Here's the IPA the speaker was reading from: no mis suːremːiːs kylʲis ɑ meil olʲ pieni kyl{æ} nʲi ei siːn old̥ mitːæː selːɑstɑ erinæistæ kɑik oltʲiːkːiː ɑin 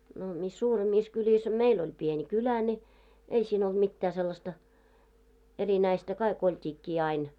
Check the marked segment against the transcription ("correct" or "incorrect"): correct